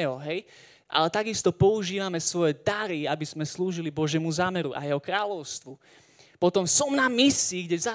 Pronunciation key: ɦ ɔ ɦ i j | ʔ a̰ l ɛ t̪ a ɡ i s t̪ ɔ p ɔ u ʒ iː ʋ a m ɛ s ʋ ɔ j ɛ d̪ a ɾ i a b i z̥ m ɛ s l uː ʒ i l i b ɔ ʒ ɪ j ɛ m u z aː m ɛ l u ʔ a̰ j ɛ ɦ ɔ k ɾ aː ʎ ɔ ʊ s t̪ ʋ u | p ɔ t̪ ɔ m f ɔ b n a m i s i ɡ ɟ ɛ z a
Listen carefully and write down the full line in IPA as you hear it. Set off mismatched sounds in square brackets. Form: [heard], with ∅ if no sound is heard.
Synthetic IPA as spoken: ɦ ɔ ɦ [ɛ] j | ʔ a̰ l ɛ t̪ a ɡ i s t̪ ɔ p ɔ u ʒ iː ʋ a m ɛ s ʋ ɔ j ɛ d̪ a ɾ i a b i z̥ m ɛ s l uː ʒ i l i b ɔ ʒ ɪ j ɛ m u z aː m ɛ [ɾ] u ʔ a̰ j ɛ ɦ ɔ k ɾ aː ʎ ɔ ʊ s t̪ ʋ u | p ɔ t̪ ɔ m [s] ɔ [m] n a m i s i ɡ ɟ ɛ z a